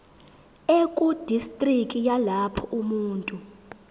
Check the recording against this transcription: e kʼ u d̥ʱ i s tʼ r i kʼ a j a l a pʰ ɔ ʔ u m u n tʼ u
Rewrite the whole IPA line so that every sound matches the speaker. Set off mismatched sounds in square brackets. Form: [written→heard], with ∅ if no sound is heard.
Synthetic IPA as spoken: e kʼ u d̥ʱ i s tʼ r i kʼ [a→i] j a l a pʰ ɔ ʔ u m [u→uː] n tʼ u